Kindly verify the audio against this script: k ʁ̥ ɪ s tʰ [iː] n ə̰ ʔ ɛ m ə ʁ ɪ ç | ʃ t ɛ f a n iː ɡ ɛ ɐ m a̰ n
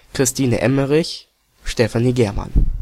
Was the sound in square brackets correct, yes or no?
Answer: yes